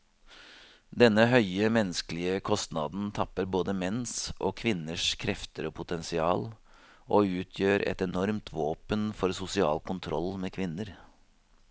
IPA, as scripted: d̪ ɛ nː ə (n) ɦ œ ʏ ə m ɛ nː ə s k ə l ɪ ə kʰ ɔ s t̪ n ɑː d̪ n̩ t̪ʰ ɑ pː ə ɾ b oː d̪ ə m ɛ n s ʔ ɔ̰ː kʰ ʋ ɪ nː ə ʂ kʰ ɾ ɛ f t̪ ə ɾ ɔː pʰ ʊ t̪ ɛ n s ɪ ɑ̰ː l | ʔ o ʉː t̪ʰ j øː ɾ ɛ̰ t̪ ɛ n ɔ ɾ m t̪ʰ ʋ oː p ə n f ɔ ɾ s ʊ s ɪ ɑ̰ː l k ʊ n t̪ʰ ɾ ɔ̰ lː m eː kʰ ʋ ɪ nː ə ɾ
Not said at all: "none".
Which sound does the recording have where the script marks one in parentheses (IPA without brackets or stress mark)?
none